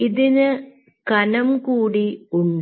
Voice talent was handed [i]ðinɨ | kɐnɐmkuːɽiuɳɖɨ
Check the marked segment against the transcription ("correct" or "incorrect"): correct